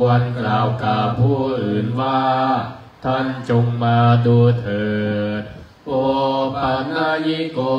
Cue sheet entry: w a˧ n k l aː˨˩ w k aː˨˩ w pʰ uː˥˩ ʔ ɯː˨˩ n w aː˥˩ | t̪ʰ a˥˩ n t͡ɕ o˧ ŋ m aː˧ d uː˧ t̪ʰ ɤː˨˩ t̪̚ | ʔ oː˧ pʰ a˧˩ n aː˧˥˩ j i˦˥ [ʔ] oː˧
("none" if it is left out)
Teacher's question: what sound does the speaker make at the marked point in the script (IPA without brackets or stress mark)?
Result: k